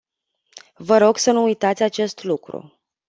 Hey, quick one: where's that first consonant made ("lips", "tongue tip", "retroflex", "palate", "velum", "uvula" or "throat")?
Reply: lips